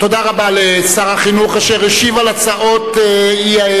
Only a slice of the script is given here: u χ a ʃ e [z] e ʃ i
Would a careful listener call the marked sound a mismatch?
yes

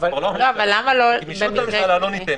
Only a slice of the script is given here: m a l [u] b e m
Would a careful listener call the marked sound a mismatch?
yes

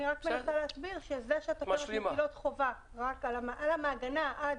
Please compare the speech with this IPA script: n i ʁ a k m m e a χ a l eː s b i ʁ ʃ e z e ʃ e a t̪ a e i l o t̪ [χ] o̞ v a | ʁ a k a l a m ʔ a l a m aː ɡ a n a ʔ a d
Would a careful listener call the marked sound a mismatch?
no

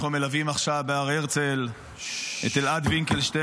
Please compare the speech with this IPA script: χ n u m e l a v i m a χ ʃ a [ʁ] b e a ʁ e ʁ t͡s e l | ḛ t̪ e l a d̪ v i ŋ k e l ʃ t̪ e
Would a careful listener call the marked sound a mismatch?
yes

